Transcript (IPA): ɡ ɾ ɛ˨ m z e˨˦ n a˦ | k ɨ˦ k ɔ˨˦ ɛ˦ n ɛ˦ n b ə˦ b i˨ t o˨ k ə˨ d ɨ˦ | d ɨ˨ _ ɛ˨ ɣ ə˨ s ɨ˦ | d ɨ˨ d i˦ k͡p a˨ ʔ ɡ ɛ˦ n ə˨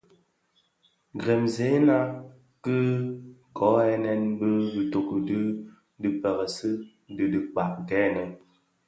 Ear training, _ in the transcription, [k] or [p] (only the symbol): p